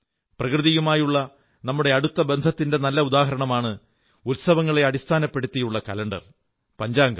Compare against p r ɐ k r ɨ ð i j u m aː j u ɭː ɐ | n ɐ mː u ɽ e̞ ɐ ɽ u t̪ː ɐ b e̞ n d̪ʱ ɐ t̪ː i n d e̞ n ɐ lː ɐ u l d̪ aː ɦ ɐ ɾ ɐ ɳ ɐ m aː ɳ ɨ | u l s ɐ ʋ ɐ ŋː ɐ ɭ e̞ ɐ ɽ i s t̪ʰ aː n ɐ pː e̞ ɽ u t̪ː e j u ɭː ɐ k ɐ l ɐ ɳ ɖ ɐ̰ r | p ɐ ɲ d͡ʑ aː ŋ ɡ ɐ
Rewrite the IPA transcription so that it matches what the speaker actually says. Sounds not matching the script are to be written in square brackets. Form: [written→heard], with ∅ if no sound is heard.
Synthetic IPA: p r ɐ k r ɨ ð i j u m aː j u ɭː ɐ | n ɐ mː u ɽ e̞ ɐ ɽ u t̪ː ɐ b e̞ n d̪ʱ ɐ t̪ː i n d e̞ n ɐ lː ɐ u [l→∅] d̪ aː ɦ ɐ ɾ ɐ ɳ ɐ m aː ɳ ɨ | u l s ɐ ʋ ɐ ŋː ɐ ɭ e̞ ɐ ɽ i s t̪ʰ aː n ɐ pː e̞ ɽ u t̪ː [e→i] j u ɭː ɐ k ɐ l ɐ ɳ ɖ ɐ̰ r | p ɐ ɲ d͡ʑ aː ŋ ɡ ɐ